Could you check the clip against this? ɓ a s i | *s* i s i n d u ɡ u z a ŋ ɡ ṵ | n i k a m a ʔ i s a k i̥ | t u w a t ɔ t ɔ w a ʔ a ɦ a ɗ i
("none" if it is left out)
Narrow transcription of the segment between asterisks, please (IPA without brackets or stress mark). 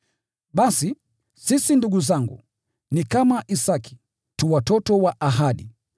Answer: s